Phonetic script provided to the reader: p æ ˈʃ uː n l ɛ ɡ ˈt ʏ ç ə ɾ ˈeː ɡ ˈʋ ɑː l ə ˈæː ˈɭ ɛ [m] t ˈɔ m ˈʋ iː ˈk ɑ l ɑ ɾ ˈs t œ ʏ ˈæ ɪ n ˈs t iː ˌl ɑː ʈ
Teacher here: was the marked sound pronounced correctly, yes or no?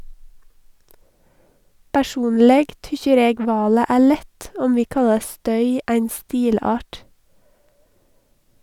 no